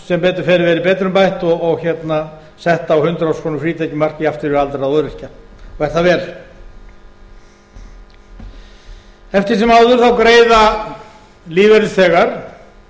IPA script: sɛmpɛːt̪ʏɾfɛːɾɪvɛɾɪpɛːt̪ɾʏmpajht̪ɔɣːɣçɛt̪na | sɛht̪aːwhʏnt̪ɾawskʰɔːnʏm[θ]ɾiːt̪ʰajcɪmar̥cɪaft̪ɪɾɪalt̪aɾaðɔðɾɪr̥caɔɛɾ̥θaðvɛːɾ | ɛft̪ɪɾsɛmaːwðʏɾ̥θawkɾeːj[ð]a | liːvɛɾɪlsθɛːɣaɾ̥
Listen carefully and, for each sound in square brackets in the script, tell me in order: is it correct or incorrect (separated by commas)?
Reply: incorrect, correct